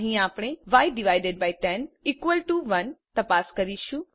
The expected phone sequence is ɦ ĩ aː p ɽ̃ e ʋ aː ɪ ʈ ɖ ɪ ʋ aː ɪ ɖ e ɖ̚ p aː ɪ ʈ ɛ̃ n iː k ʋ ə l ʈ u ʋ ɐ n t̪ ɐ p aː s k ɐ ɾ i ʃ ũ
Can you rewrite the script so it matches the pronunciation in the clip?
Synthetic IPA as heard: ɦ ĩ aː p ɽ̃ e ʋ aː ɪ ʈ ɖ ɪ ʋ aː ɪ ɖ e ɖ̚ b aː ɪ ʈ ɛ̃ n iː k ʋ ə l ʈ u ʋ ɐ n t̪ ɐ p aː s k ɐ ɾ i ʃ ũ